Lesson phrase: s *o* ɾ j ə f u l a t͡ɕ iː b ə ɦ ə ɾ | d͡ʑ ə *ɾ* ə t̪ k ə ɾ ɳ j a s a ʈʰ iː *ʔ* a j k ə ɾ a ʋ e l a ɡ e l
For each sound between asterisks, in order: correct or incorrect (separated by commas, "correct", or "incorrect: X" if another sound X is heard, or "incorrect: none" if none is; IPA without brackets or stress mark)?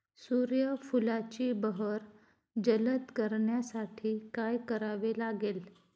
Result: incorrect: u, incorrect: l, incorrect: k